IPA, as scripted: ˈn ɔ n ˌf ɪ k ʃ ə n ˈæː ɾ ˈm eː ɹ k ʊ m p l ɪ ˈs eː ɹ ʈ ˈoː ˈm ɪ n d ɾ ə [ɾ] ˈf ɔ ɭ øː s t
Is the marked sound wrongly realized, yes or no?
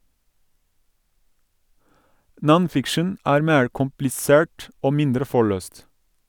yes